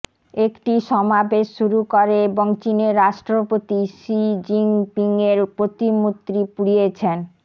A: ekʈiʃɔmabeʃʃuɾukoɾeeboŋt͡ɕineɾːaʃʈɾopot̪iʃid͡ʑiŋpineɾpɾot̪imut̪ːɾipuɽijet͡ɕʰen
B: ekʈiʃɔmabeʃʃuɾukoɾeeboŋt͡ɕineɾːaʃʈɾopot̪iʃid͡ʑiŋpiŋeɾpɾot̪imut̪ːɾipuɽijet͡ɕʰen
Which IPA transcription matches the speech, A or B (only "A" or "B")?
B